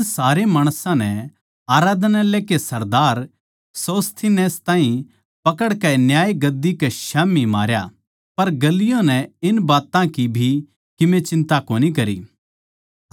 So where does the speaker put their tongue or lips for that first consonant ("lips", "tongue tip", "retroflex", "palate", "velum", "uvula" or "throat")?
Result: tongue tip